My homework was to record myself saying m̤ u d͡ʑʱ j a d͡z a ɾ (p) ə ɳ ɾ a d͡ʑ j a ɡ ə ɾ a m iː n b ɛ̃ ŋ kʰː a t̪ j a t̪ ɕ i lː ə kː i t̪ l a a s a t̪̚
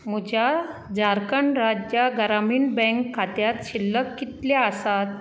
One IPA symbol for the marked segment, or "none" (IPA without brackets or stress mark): k